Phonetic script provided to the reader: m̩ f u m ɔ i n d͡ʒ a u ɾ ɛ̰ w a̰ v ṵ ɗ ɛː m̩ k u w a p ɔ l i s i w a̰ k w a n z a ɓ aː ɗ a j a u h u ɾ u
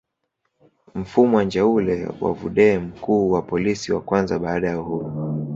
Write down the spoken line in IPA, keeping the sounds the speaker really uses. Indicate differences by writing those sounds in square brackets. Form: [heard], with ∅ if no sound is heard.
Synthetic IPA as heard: m̩ f u m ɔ [a] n d͡ʒ a u [l] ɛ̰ w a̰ v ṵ ɗ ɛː m̩ k [uː] w a p ɔ l i s i w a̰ k w a n z a ɓ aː ɗ a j a u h u ɾ u